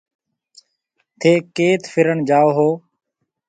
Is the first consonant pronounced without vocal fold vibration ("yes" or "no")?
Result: yes